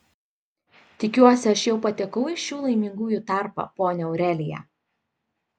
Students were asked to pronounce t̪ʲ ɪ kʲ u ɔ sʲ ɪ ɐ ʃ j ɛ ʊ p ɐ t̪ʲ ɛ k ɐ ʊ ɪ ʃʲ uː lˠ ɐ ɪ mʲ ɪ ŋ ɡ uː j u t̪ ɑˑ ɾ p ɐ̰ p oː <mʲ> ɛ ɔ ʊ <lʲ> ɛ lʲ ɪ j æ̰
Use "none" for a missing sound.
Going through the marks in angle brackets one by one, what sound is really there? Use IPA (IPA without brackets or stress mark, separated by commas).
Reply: nʲ, ɾʲ